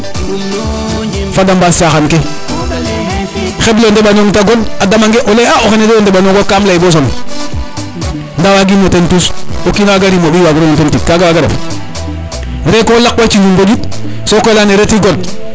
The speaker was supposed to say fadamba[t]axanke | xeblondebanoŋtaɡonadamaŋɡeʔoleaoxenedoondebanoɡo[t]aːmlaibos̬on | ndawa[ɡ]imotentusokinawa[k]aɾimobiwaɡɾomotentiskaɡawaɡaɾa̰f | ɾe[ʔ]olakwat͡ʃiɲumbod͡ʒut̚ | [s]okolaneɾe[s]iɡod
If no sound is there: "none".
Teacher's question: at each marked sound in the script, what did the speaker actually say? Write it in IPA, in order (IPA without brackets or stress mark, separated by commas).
s, k, ɡ, ɡ, k, s, t